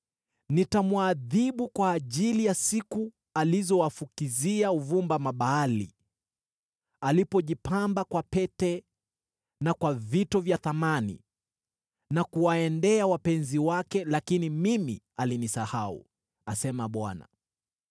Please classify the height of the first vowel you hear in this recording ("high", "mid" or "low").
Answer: high